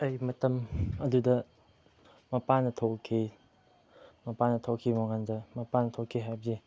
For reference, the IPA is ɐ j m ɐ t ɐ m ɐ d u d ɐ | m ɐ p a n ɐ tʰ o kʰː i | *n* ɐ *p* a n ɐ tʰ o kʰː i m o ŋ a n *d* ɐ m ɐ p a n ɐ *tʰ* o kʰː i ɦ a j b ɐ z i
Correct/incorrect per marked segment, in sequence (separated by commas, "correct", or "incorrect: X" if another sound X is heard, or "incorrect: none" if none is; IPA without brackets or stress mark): incorrect: m, correct, correct, correct